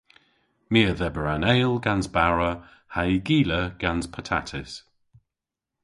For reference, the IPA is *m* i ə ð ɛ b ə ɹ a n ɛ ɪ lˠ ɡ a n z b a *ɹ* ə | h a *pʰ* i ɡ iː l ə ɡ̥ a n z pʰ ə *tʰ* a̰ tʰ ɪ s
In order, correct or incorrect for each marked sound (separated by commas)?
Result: correct, correct, incorrect, correct